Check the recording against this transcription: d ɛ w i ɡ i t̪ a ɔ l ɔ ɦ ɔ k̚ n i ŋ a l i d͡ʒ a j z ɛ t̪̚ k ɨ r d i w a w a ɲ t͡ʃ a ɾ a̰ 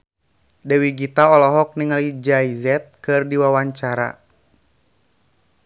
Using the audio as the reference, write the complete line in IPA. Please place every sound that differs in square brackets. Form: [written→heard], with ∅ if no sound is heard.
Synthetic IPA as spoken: d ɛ w i ɡ i t̪ a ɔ l ɔ ɦ ɔ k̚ n i ŋ a l i d͡ʒ a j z ɛ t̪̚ k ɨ r d i w a w a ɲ t͡ʃ a ɾ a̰